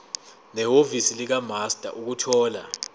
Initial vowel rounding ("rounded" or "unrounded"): unrounded